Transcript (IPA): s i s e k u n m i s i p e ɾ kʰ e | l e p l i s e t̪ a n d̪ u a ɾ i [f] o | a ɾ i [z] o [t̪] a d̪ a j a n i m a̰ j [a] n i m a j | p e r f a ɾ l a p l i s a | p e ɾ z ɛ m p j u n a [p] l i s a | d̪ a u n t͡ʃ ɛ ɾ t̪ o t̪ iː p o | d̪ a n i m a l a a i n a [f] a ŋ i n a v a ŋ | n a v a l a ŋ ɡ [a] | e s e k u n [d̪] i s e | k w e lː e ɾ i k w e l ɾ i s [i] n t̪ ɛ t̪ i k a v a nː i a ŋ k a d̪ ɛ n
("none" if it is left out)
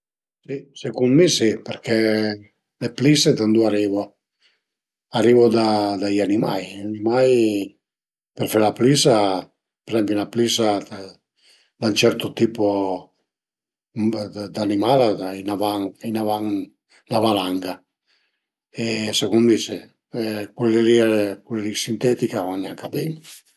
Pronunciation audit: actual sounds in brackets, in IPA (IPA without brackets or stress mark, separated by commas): v, v, d̪, a, p, v, a, d̪, i